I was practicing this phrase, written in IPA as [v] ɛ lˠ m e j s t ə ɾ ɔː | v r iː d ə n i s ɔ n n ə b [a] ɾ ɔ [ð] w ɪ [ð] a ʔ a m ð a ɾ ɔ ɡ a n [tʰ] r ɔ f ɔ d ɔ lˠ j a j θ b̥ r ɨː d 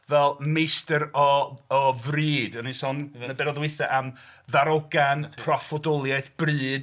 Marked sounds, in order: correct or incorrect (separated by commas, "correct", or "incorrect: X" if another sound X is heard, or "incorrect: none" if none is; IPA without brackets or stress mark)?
correct, incorrect: ɛ, correct, incorrect: θ, incorrect: pʰ